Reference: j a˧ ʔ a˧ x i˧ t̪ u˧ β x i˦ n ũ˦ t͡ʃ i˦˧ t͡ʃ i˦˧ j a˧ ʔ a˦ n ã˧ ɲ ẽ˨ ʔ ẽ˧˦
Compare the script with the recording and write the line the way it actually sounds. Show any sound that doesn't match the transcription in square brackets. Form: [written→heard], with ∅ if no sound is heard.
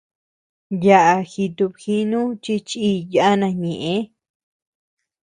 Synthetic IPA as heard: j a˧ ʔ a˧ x i˧ t̪ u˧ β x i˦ n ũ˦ t͡ʃ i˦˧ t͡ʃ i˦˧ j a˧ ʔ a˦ n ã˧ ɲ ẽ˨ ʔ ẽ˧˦